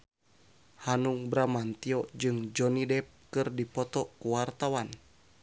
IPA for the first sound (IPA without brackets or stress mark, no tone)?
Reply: h